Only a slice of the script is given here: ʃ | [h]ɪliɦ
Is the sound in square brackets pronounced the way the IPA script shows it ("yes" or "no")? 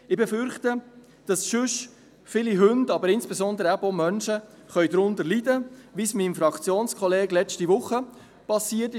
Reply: no